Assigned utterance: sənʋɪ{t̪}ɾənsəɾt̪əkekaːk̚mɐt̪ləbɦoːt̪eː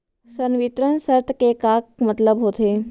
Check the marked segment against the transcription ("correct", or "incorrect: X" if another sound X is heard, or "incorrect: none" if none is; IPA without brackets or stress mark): correct